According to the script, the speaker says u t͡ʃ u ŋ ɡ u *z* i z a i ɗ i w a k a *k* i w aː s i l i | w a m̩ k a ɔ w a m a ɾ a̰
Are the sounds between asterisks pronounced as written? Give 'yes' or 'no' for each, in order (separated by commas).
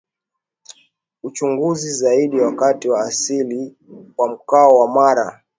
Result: yes, no